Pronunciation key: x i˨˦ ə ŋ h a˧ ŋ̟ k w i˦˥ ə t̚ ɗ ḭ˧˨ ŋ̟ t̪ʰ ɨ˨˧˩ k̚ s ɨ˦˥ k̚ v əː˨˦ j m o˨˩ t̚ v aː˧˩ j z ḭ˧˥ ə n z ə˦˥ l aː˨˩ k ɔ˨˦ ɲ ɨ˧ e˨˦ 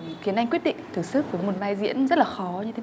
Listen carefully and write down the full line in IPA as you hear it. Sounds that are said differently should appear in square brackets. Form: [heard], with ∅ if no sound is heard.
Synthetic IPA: x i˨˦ ə [n] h a˧ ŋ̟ k w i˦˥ ə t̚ ɗ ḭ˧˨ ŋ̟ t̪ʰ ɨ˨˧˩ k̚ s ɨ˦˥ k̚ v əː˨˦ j m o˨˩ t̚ v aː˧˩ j z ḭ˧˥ ə n z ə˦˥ l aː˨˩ [x] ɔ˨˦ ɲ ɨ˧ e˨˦